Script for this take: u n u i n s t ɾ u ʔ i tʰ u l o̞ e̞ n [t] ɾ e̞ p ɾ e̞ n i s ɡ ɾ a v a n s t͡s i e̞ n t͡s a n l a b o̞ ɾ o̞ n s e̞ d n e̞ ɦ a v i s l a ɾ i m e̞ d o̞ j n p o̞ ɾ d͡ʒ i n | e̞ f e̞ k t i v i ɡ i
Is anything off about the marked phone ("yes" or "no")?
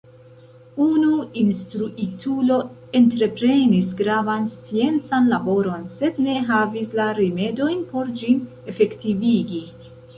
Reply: no